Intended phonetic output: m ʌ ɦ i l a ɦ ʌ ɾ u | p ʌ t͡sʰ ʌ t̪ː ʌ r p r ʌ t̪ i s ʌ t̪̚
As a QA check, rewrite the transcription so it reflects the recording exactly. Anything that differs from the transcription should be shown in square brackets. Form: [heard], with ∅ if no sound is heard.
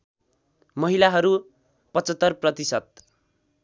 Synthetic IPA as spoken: m ʌ ɦ i l a ɦ ʌ ɾ u | p ʌ [t͡s] ʌ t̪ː ʌ r p r ʌ t̪ i s ʌ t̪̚